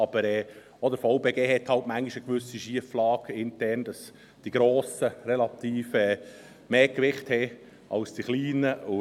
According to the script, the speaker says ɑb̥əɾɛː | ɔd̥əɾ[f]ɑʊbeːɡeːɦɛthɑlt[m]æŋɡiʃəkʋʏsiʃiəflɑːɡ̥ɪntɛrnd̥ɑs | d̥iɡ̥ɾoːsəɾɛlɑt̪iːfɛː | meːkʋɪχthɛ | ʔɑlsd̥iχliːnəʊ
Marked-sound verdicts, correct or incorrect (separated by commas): correct, correct